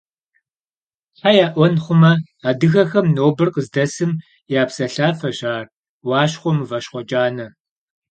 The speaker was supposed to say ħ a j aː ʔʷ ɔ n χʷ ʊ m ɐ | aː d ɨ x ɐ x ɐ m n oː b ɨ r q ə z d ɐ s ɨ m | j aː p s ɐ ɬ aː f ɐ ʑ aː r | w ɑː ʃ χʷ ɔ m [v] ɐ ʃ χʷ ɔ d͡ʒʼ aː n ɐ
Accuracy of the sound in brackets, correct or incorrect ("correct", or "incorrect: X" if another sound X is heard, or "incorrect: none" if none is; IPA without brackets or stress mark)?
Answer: correct